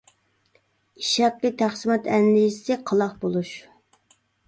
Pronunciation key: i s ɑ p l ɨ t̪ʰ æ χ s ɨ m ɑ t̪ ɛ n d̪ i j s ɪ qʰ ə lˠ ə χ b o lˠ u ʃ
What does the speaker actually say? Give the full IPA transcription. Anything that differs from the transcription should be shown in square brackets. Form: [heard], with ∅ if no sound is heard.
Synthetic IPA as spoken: i [ʃ] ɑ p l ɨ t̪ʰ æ χ s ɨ m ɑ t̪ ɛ n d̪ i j s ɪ qʰ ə lˠ [ɑ] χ b o lˠ u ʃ